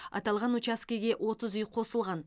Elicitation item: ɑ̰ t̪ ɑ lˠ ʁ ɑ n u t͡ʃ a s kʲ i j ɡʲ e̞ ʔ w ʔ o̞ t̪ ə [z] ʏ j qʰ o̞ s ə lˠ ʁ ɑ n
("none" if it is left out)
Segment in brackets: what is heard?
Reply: z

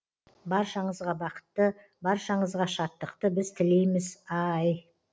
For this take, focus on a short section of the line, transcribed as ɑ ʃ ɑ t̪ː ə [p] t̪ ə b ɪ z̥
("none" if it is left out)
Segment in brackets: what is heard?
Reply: q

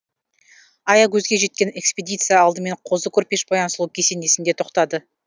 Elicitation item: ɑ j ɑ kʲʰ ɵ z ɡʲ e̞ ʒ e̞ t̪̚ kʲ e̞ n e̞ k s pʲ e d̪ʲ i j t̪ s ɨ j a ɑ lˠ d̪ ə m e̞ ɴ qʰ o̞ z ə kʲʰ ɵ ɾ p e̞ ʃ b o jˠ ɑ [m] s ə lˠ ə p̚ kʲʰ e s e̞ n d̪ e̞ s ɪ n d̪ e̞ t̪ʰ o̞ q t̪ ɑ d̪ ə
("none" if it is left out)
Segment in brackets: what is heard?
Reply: n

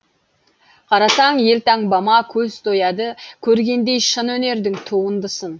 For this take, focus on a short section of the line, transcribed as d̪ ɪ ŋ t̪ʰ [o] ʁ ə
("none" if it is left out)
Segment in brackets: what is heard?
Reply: u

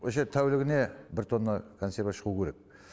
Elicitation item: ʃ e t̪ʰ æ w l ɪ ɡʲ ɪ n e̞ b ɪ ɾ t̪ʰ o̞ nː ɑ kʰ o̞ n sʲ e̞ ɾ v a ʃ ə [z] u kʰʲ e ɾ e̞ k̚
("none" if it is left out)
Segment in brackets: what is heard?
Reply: ʁ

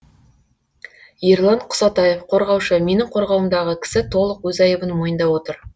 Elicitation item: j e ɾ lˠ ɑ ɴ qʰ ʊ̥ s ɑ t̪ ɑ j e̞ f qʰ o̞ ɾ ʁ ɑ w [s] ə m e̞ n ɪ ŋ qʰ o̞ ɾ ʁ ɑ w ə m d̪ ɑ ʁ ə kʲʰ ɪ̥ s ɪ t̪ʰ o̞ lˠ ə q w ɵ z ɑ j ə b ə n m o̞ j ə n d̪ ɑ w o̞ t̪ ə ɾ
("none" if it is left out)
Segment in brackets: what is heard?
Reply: ʃ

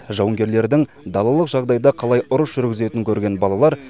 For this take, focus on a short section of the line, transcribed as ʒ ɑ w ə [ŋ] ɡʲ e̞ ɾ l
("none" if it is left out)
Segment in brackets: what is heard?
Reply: ŋ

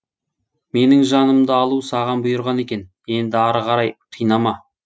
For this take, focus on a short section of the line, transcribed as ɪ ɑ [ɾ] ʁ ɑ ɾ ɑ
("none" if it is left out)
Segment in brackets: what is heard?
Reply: ɾ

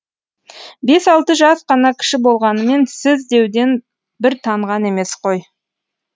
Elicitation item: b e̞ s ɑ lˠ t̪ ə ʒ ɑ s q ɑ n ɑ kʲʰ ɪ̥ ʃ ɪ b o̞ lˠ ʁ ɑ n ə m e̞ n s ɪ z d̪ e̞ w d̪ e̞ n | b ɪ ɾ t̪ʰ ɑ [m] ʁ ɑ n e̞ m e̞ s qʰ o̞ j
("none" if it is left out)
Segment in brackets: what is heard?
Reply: ɴ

